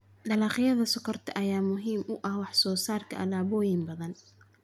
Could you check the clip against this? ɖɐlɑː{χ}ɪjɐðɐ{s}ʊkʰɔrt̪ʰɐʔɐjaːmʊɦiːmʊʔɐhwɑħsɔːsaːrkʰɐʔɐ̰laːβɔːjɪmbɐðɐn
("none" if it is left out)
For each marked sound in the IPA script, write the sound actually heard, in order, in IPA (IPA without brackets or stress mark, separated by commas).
χ, s